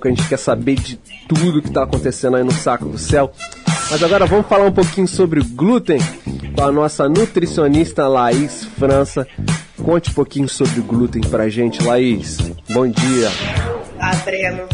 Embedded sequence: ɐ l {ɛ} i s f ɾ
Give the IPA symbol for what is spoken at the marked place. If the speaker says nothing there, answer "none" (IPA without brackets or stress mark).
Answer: a